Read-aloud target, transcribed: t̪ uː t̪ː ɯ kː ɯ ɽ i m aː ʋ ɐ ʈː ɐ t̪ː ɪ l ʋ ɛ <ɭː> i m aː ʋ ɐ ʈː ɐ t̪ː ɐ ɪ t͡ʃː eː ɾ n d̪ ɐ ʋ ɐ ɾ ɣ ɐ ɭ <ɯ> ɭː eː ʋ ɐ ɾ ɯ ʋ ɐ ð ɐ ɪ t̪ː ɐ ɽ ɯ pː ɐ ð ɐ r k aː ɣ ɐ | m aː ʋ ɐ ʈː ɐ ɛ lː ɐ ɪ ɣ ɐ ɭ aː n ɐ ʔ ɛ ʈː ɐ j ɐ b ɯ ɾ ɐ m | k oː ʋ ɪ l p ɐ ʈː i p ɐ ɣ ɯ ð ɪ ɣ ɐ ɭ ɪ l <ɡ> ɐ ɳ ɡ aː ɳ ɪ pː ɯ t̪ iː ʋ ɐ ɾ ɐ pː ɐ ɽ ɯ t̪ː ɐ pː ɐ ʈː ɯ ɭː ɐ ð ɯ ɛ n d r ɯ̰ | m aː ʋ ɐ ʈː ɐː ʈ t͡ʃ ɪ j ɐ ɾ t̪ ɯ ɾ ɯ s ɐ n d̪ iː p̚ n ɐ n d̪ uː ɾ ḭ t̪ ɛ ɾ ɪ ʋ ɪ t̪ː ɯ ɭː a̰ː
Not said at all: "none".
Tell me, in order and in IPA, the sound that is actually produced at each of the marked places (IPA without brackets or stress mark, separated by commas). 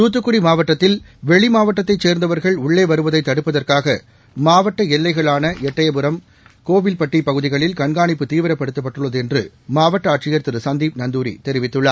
ɭ, ʊ, k